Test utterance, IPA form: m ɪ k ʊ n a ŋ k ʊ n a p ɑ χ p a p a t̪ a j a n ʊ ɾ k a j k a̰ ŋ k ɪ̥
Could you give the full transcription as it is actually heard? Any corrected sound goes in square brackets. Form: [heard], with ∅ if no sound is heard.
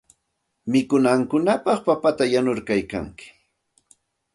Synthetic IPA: m ɪ k ʊ n a ŋ k ʊ n a p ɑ χ p a p a t̪ a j a n ʊ ɾ k a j k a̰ ŋ k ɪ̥